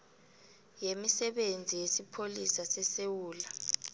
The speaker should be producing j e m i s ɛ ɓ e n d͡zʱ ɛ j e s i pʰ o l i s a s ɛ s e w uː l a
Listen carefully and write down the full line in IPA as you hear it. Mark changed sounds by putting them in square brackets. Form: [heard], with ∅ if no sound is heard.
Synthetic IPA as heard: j e m i s ɛ ɓ e n d͡zʱ [i] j e s i pʰ o l i s a s ɛ s e w uː l a